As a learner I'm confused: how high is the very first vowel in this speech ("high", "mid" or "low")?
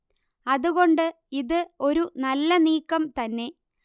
low